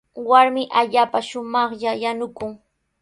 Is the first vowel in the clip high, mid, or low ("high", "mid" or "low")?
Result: low